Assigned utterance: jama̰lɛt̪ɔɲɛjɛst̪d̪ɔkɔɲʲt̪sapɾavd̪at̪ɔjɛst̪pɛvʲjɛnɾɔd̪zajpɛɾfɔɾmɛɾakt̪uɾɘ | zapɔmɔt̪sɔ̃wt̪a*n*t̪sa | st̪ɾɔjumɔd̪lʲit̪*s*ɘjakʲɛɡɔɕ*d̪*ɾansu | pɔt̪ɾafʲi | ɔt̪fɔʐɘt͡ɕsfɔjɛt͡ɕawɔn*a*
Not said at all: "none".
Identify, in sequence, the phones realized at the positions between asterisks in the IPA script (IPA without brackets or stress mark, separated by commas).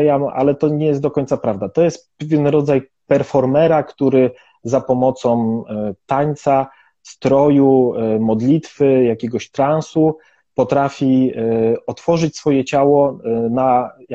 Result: ɲ, f, t̪, a